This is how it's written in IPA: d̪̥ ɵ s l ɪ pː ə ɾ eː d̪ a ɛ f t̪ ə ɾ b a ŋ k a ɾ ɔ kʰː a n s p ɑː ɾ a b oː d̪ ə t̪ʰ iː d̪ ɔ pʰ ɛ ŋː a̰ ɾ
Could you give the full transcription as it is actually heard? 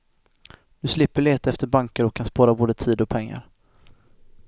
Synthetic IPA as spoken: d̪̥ ɵ s l ɪ pː ə ɭ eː t̪ a ɛ f t̪ ə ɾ b a ŋ k ə ɾ ɔ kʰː a n s p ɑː ɾ a b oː d̪ ə t̪ʰ iː d̪ ɔ pʰ ɛ ŋː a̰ ɾ